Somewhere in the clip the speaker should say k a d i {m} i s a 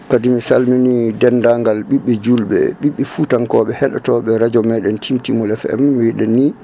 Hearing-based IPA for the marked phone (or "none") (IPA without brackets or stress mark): m